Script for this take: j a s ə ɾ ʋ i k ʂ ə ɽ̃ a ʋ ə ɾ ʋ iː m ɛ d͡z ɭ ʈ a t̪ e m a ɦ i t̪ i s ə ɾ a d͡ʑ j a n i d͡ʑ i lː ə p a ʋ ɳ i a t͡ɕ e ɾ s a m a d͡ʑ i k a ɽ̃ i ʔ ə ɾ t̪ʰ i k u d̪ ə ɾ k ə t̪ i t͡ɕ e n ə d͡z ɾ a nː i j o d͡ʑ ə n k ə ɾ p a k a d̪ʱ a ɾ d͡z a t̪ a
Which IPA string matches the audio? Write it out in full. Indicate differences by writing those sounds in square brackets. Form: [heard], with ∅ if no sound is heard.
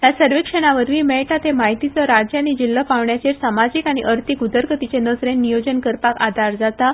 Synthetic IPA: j a s ə ɾ ʋ i k ʂ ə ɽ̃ a ʋ ə ɾ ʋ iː m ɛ [∅] ɭ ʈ a t̪ e m a ɦ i t̪ i [t͡s] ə ɾ a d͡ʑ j a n i d͡ʑ i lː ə p a ʋ ɳ [j] a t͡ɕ e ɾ s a m a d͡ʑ i k a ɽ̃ i ʔ ə ɾ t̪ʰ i k u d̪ ə ɾ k ə t̪ i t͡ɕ e n ə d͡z ɾ [e] nː i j o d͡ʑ ə n k ə ɾ p a k a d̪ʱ a ɾ d͡z a t̪ a